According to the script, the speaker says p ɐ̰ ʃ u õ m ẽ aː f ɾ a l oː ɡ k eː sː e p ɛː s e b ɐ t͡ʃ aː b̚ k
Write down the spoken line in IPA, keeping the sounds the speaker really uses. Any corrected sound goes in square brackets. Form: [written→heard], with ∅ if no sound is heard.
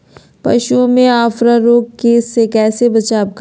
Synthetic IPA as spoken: p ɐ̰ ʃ u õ m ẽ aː f ɾ a [l→ɾ] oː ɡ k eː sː e [p→k] ɛː s e b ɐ t͡ʃ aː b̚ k